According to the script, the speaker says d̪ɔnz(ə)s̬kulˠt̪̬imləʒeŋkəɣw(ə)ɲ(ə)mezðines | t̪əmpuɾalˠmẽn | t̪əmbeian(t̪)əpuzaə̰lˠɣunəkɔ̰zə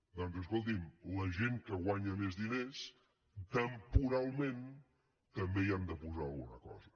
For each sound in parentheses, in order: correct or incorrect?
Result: correct, incorrect, correct, incorrect

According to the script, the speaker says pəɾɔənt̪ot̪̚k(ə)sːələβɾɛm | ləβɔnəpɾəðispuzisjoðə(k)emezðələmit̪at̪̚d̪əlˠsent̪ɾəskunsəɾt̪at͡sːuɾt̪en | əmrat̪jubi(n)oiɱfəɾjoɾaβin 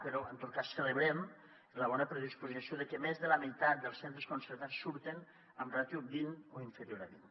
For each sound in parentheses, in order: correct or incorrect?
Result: incorrect, correct, correct

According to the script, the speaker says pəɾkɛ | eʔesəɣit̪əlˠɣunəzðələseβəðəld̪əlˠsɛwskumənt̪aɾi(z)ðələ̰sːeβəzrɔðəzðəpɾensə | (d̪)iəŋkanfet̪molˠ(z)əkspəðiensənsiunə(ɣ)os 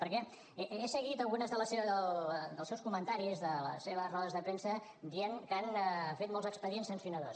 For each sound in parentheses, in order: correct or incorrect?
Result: correct, correct, correct, incorrect

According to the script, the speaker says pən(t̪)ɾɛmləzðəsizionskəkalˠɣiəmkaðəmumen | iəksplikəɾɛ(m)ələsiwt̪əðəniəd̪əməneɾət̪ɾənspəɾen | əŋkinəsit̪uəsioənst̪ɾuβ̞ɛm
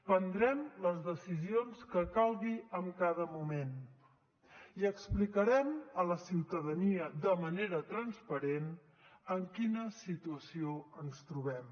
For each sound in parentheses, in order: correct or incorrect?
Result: incorrect, correct

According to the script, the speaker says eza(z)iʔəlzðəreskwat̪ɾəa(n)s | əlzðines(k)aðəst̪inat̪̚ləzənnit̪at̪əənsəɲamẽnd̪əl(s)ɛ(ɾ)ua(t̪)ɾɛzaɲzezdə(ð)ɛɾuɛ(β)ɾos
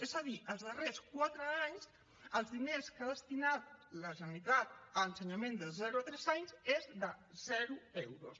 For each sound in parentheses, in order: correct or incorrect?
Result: incorrect, incorrect, correct, incorrect, correct, correct, incorrect, incorrect

